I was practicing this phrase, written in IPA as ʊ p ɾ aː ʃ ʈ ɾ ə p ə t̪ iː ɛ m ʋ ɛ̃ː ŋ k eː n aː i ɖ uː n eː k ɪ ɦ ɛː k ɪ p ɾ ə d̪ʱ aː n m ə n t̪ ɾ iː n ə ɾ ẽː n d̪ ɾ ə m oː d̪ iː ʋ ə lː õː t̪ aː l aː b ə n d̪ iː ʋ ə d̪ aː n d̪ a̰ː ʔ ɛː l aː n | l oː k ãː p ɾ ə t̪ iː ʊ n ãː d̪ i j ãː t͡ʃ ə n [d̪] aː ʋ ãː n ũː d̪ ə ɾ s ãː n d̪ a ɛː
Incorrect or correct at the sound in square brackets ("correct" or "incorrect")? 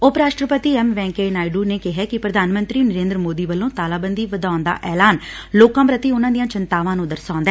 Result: incorrect